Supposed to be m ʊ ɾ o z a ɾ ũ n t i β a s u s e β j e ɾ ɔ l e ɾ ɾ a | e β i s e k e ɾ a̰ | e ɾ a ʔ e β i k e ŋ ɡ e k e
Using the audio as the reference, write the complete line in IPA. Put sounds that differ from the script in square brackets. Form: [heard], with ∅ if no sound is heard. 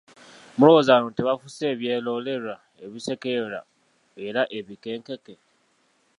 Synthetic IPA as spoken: m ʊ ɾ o z a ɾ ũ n t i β a [f] u s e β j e [l] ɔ l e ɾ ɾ a | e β i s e k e ɾ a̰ | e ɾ a ʔ e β i k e ŋ [k] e k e